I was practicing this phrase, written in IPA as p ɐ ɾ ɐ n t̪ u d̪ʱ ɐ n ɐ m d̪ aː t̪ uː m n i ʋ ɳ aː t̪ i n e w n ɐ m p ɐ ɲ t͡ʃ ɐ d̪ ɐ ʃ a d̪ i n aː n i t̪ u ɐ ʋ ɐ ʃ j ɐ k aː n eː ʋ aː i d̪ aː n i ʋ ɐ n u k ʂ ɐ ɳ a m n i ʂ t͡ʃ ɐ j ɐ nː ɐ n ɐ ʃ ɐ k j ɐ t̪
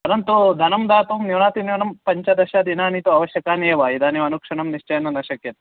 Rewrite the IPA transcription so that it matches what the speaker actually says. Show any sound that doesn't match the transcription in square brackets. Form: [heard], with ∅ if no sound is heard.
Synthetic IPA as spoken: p ɐ ɾ ɐ n t̪ u d̪ʱ ɐ n ɐ m d̪ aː t̪ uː m n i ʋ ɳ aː t̪ i n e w n ɐ m p ɐ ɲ t͡ʃ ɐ d̪ ɐ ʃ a d̪ i n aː n i t̪ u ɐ ʋ ɐ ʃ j ɐ k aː n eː ʋ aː i d̪ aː n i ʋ ɐ n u k ʂ ɐ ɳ [ɐ] m n i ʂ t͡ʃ ɐ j ɐ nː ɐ n ɐ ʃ ɐ k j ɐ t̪

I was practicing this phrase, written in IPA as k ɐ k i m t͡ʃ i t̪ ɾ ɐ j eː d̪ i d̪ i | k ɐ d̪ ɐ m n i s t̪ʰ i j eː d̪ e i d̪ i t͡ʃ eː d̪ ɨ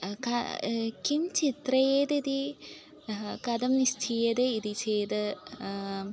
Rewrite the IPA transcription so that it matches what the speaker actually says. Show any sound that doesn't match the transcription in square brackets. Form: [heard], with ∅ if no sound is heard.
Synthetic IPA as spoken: k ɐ k i m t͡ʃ i t̪ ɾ ɐ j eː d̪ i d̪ i | k ɐ d̪ ɐ m n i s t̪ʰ i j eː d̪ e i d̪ i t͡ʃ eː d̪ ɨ

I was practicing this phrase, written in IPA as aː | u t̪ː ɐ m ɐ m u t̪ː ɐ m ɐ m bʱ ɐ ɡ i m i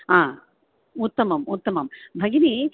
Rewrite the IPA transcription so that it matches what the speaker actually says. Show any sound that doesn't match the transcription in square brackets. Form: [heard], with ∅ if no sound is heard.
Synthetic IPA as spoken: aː | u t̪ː ɐ m ɐ m u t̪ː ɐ m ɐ m bʱ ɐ ɡ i [n] i

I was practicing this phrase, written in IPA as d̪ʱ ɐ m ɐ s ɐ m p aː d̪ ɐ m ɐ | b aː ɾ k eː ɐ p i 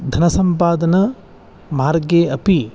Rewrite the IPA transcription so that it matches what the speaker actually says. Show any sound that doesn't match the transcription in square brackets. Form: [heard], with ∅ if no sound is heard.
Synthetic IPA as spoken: d̪ʱ ɐ [n] ɐ s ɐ m p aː d̪ ɐ [n] ɐ | [m] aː ɾ [ɡ] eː ɐ p i

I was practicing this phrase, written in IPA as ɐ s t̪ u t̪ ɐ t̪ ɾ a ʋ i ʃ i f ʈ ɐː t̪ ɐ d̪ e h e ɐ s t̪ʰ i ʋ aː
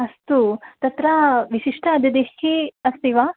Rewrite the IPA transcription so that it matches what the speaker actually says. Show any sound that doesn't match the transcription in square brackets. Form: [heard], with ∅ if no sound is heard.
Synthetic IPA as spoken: ɐ s t̪ u t̪ ɐ t̪ ɾ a ʋ i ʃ i [ʂ] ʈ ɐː [d̪] ɐ d̪ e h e ɐ s [t̪] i ʋ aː

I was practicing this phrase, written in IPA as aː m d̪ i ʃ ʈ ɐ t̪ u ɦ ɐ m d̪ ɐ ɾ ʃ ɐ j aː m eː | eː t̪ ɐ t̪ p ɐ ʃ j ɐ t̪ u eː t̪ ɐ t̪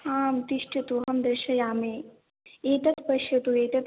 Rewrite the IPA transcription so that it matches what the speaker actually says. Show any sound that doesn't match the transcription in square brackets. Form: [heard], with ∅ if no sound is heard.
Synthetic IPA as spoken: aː m [t̪] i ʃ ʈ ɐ t̪ u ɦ ɐ m d̪ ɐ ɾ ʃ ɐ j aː m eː | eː t̪ ɐ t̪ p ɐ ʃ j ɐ t̪ u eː t̪ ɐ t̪

